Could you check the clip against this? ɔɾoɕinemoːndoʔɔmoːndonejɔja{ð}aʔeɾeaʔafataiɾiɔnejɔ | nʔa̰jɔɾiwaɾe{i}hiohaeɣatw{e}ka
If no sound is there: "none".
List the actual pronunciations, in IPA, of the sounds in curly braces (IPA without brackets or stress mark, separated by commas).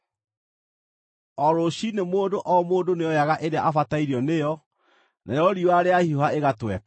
ɣ, a, ɛ